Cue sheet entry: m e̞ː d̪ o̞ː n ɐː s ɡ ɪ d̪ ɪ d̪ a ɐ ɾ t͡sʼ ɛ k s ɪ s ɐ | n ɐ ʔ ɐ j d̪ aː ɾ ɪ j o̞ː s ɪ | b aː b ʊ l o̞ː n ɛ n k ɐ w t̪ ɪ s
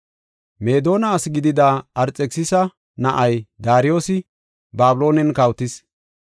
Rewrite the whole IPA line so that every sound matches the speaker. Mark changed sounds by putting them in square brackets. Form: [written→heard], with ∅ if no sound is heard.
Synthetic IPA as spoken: m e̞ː d̪ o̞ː n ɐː s ɡ ɪ d̪ ɪ d̪ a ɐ ɾ t͡sʼ ɛ k s ɪ s ɐ | n ɐ ʔ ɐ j d̪ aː ɾ ɪ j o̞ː s ɪ | b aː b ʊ l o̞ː n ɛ n k ɐ w t̪ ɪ s